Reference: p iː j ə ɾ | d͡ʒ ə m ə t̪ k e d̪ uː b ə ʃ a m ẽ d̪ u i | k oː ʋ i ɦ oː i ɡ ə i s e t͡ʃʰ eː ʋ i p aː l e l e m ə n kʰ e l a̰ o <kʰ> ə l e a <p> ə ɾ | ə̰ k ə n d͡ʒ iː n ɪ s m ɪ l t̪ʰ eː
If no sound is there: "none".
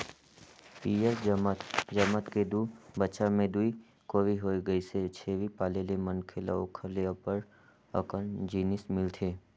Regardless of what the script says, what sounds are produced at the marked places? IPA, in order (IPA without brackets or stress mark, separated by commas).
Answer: kʰ, p